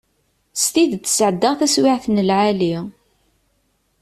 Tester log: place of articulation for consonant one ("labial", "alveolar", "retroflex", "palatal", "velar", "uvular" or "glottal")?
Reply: alveolar